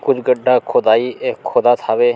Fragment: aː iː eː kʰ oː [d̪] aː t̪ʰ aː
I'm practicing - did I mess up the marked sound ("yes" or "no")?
no